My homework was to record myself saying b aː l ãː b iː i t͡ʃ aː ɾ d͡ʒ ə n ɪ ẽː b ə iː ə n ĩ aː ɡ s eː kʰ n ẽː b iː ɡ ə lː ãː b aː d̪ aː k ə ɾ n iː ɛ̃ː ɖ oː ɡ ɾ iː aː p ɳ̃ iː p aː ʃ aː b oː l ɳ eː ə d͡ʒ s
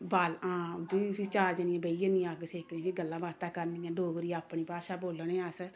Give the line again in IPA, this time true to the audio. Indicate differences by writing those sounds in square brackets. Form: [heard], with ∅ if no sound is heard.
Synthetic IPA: b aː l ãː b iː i t͡ʃ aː ɾ d͡ʒ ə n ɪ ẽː b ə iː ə n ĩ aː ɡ s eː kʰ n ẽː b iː ɡ ə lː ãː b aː [t̪] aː k ə ɾ n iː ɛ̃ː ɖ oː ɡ ɾ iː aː p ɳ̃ iː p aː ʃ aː b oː l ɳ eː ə [∅] s